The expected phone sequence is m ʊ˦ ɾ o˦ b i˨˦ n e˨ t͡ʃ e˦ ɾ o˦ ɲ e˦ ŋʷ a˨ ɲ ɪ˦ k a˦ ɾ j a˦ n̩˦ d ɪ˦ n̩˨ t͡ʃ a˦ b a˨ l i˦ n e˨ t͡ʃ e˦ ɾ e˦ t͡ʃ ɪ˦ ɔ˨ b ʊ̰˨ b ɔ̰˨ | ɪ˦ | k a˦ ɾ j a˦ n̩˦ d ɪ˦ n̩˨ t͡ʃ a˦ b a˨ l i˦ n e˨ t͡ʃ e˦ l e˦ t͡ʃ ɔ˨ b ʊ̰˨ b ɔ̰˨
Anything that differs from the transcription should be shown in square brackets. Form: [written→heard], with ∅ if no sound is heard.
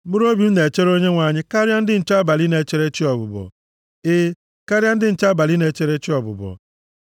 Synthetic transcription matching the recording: m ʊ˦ ɾ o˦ b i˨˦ n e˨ t͡ʃ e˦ ɾ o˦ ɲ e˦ ŋʷ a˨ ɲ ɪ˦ k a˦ ɾ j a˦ n̩˦ d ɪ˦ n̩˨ t͡ʃ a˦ b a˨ l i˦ n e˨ t͡ʃ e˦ ɾ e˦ t͡ʃ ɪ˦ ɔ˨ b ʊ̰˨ b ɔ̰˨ | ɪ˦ | k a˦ ɾ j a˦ n̩˦ d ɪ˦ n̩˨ t͡ʃ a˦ b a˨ l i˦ n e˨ t͡ʃ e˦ [l→ɾ] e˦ t͡ʃ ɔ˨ b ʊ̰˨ b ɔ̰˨